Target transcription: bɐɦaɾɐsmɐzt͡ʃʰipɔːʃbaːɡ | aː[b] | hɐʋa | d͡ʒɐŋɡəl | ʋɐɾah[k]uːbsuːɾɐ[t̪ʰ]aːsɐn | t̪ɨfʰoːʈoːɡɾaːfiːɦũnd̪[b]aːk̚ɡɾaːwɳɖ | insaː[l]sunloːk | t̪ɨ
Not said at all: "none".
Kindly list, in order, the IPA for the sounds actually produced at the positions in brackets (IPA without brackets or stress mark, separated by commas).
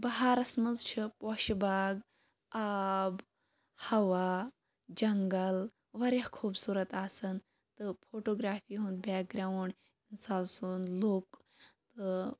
b, kʰ, t̪, b, l